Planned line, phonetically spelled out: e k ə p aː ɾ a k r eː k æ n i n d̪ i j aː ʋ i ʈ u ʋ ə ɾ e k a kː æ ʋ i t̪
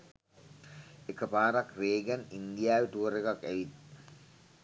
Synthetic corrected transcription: e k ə p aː ɾ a k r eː ɡ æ n i n d̪ i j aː ʋ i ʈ u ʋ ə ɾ e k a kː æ ʋ i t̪